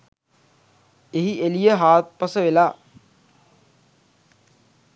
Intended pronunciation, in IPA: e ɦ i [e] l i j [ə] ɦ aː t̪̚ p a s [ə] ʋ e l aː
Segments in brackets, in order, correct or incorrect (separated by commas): correct, correct, correct